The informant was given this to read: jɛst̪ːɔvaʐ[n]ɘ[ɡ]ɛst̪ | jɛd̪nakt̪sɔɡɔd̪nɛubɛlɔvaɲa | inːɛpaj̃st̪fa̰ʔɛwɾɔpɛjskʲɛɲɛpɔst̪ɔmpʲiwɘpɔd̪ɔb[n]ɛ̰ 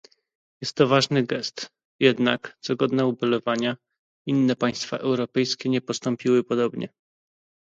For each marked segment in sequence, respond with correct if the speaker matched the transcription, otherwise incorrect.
correct, correct, incorrect: ɲ

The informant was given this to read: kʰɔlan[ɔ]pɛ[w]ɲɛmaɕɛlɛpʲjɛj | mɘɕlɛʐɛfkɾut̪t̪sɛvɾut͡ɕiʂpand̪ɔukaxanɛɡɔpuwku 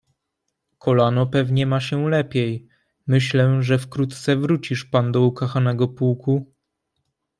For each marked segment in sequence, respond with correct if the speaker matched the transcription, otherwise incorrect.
correct, incorrect: v

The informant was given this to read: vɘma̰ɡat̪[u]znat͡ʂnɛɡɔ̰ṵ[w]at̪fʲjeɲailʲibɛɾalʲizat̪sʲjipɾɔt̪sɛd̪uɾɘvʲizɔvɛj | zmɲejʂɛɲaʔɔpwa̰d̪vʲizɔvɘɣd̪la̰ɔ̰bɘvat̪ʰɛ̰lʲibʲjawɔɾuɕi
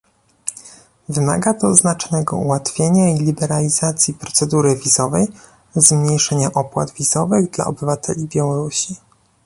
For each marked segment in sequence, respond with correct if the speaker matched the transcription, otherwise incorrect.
incorrect: ɔ, correct

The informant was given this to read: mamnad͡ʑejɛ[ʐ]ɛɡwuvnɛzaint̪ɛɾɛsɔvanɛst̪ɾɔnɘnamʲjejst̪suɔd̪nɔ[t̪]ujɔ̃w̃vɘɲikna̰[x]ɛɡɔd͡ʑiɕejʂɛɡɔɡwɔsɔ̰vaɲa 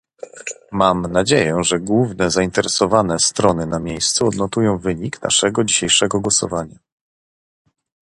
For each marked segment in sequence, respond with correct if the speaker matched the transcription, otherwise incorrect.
correct, correct, incorrect: ʂ

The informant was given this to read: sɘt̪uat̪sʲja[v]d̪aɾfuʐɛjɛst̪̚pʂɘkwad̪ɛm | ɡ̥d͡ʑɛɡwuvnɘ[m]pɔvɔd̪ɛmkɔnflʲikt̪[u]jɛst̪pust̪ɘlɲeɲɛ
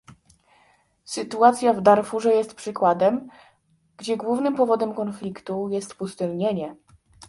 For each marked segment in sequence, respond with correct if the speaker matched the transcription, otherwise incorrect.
correct, correct, correct

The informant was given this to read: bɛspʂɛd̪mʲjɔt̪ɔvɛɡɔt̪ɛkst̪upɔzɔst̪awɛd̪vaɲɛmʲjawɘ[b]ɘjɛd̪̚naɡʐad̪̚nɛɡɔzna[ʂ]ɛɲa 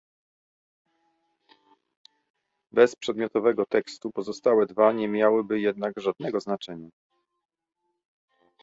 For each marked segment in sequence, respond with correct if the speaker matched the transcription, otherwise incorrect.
correct, incorrect: t͡ʂ

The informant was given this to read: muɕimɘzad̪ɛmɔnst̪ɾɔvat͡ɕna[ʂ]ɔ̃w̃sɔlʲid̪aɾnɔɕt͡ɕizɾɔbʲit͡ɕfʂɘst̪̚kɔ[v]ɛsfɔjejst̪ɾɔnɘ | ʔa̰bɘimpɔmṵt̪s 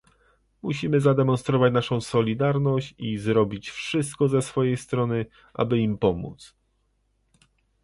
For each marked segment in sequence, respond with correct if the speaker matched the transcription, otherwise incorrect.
correct, incorrect: z

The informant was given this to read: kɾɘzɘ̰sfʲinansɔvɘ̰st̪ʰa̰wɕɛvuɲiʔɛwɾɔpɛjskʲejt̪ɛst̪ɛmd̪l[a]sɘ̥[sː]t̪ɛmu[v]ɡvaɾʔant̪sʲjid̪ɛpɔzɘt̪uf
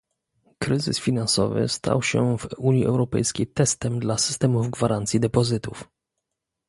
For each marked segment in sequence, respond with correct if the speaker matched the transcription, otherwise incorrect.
correct, incorrect: s, correct

